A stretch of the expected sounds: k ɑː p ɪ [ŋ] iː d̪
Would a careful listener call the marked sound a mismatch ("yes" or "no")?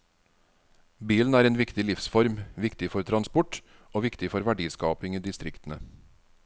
no